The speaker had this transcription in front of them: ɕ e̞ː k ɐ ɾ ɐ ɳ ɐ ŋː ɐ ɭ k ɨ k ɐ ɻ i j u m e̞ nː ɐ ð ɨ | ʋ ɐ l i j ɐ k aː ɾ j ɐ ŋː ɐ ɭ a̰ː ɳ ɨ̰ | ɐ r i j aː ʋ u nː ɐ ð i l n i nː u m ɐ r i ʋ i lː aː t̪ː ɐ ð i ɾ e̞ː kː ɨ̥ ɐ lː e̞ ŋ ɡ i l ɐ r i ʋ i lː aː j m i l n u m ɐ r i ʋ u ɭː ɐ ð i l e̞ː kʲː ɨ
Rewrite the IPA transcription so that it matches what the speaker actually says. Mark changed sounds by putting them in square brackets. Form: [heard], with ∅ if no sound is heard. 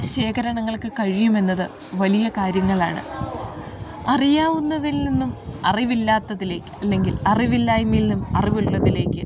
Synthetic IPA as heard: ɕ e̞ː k ɐ ɾ ɐ ɳ ɐ ŋː ɐ ɭ k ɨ k ɐ ɻ i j u m e̞ nː ɐ ð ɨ | ʋ ɐ l i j ɐ k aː ɾ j ɐ ŋː ɐ ɭ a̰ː ɳ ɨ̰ | ɐ r i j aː ʋ u nː ɐ ð i l n i nː u m ɐ r i ʋ i lː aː t̪ː ɐ ð i [l] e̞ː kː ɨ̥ ɐ lː e̞ ŋ ɡ i l ɐ r i ʋ i lː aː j m i l n u m ɐ r i ʋ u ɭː ɐ ð i l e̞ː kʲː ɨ